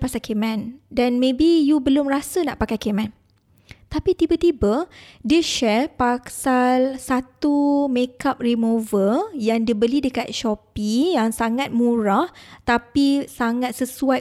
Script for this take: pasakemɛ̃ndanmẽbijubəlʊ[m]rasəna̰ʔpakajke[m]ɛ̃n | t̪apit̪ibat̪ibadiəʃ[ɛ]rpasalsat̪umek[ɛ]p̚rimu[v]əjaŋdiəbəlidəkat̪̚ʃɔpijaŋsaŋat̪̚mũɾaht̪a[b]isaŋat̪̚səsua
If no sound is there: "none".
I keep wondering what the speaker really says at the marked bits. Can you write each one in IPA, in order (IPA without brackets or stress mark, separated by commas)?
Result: m, m, ɛ, a, v, p